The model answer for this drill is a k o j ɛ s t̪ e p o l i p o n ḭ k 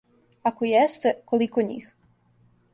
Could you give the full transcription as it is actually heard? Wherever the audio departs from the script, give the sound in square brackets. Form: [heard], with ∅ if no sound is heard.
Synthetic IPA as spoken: a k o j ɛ s t̪ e [k] o l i [k] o [ɲ] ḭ [x]

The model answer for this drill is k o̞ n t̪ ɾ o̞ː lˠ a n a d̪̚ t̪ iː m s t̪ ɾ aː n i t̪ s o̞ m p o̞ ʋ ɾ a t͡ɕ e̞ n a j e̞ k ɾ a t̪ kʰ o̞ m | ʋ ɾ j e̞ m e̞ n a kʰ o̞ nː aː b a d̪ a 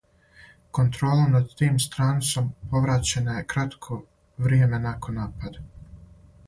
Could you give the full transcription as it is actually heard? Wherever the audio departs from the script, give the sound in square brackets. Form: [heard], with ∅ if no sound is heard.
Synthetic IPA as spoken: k o̞ n t̪ ɾ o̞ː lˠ a n a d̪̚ t̪ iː m s t̪ ɾ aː n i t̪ s o̞ m p o̞ ʋ ɾ a t͡ɕ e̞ n a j e̞ k ɾ a t̪ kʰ o̞ [∅] | ʋ ɾ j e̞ m e̞ n a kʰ o̞ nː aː [p] a d̪ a

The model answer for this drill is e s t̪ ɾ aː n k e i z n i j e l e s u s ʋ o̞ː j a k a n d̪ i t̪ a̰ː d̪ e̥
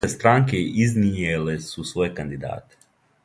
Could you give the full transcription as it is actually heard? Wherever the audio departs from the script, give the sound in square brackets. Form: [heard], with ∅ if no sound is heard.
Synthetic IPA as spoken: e s t̪ ɾ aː [ŋ] k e i z n i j e l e s u s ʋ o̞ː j [e] k a n d̪ i [d̪] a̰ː [t̪] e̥

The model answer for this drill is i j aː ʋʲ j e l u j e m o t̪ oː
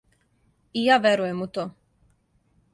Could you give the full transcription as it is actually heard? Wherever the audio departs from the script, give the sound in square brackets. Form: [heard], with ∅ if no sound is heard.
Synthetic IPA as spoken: i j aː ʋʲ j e [ɾ] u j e m [u] t̪ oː

